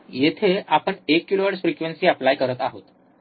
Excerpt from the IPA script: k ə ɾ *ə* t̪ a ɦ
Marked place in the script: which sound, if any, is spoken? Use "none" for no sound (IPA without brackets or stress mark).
ə